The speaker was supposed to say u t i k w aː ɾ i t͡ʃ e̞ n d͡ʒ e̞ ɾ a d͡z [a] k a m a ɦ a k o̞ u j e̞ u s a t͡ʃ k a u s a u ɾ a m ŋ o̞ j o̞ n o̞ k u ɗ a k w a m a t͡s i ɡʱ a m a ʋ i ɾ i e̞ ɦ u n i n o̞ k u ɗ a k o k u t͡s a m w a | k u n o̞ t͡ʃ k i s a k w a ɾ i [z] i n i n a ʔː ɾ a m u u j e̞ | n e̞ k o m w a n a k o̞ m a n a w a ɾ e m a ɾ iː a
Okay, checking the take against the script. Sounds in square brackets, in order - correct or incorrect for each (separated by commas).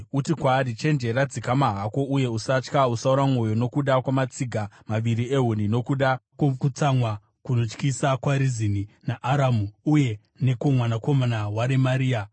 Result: incorrect, correct